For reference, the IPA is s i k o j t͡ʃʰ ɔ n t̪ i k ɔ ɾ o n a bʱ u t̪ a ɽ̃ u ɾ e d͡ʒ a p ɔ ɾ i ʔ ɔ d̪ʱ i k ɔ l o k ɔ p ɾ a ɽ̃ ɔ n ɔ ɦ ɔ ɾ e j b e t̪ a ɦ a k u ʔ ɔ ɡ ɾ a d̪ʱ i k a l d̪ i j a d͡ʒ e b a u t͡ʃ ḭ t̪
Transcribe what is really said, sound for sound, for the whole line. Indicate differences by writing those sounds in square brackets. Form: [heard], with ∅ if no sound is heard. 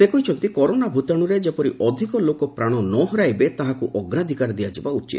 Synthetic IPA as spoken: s [e] k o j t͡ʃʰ ɔ n t̪ i k ɔ ɾ o n a bʱ u t̪ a ɽ̃ u ɾ e d͡ʒ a p ɔ ɾ i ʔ ɔ d̪ʱ i k ɔ l o k ɔ p ɾ a ɽ̃ ɔ n ɔ ɦ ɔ ɾ [a] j b e t̪ a ɦ a k u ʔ ɔ ɡ ɾ a d̪ʱ i k a [ɾ] d̪ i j a d͡ʒ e b a u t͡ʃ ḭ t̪

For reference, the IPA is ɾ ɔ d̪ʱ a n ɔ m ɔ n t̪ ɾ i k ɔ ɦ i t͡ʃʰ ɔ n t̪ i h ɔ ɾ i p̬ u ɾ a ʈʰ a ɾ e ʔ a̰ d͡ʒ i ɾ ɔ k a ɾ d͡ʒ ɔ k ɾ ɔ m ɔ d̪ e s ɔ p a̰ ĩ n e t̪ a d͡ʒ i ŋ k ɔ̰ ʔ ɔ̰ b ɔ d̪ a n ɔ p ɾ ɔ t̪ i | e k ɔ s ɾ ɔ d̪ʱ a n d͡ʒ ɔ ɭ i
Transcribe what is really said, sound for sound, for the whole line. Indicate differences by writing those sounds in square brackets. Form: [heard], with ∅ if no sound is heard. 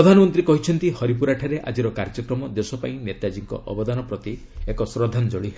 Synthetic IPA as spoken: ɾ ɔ d̪ʱ a n ɔ m ɔ n t̪ ɾ i k ɔ ɦ i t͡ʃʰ ɔ n t̪ i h ɔ ɾ i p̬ u ɾ a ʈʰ a ɾ e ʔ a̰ d͡ʒ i ɾ ɔ k a ɾ d͡ʒ ɔ k ɾ ɔ m ɔ d̪ e s ɔ p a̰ ĩ n e t̪ a d͡ʒ i ŋ k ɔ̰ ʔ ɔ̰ b ɔ d̪ a n ɔ p ɾ ɔ t̪ i | e k ɔ s ɾ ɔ d̪ʱ a n d͡ʒ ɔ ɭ i

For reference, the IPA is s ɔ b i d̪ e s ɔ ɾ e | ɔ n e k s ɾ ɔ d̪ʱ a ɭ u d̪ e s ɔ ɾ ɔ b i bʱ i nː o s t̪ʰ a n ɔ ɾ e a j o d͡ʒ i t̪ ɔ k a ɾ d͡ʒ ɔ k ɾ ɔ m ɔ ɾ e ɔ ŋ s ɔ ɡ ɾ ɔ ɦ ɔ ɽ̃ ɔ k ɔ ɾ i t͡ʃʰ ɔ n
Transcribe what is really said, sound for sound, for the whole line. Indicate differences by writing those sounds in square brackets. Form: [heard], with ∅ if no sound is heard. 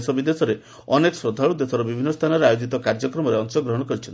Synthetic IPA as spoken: s ɔ b i d̪ e s ɔ ɾ e | ɔ n e k s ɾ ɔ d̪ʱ a ɭ u d̪ e s ɔ ɾ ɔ b i bʱ i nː [ɔ] s t̪ʰ a n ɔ ɾ e a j o d͡ʒ i t̪ ɔ k a ɾ d͡ʒ ɔ k ɾ ɔ m ɔ ɾ e ɔ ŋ s ɔ ɡ ɾ ɔ ɦ ɔ ɽ̃ ɔ k ɔ ɾ i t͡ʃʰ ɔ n

